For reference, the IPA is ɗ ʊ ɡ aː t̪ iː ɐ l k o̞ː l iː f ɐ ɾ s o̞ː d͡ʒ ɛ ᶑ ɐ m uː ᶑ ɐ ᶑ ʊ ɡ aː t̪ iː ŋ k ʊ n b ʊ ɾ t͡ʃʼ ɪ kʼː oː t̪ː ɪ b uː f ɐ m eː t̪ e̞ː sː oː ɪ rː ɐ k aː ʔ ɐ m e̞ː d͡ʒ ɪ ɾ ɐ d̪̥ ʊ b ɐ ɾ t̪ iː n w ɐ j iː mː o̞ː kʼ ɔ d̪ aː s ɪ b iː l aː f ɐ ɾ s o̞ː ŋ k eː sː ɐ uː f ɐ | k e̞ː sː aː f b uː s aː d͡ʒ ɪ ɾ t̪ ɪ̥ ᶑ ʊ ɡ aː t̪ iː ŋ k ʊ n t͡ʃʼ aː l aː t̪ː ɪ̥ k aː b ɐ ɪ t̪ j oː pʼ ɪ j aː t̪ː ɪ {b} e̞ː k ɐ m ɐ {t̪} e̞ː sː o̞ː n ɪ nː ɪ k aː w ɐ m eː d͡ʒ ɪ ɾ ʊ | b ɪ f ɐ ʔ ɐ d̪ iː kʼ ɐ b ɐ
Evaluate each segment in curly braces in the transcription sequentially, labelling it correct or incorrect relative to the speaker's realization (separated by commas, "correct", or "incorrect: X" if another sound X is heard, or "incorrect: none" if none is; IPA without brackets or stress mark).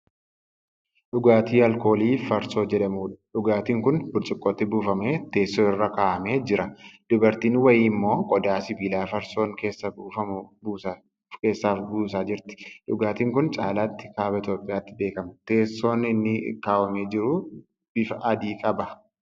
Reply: correct, correct